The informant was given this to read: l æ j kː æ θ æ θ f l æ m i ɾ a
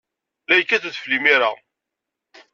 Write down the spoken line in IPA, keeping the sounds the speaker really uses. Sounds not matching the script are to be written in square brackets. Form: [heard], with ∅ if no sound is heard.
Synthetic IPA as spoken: l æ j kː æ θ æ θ f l [i] m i ɾ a